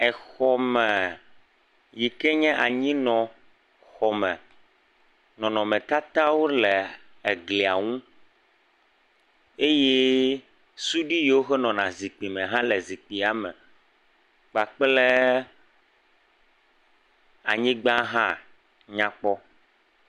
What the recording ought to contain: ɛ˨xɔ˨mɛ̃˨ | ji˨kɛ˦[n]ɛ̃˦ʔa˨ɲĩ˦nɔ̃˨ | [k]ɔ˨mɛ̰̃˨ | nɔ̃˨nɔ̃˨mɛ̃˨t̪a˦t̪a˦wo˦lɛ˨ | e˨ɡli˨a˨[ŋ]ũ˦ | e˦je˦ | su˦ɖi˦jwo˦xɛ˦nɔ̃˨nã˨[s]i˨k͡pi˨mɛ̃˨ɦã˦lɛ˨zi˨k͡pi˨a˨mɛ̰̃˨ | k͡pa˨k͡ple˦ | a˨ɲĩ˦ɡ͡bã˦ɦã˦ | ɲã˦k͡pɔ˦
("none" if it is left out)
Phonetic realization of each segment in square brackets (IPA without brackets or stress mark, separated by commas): ɲ, x, ŋ, z